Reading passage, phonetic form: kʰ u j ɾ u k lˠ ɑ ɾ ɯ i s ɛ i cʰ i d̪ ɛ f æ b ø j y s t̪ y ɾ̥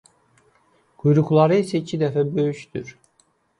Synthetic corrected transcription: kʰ u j ɾ u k lˠ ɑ ɾ ɯ i s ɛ i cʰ i d̪ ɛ f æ b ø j y ʃ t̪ y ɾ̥